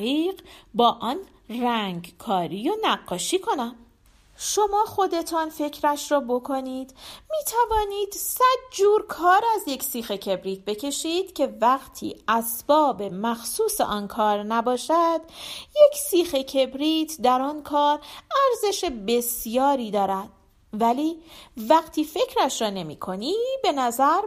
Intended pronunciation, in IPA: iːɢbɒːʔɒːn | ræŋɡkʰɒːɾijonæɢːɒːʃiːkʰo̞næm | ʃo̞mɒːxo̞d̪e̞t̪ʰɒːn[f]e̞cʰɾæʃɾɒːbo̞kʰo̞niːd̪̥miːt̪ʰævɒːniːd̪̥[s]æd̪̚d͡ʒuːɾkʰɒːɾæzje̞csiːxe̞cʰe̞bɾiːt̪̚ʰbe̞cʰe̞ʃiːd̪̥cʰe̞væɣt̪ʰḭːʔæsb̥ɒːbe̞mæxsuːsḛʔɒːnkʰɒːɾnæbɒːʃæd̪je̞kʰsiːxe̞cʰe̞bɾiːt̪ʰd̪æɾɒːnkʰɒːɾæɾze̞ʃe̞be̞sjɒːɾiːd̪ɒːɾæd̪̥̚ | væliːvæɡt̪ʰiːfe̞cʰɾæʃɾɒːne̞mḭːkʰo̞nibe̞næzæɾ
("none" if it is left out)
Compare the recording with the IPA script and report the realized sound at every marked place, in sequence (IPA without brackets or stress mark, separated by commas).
f, s